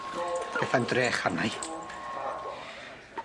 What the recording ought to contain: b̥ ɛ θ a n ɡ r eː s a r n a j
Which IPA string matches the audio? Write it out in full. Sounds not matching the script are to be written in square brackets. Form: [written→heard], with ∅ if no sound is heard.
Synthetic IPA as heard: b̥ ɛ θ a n [ɡ→d] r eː [s→χ] a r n a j